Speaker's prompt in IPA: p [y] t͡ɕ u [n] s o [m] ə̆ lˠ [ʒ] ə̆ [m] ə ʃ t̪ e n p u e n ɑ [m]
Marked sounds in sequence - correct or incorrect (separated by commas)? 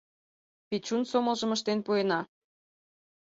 incorrect, correct, correct, correct, correct, incorrect